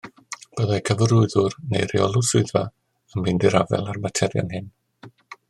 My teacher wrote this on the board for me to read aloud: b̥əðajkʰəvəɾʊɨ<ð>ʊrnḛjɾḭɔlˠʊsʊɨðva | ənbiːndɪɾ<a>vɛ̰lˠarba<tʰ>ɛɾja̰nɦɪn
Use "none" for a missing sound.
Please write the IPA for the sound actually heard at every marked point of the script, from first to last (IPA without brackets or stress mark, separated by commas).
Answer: ð, a, tʰ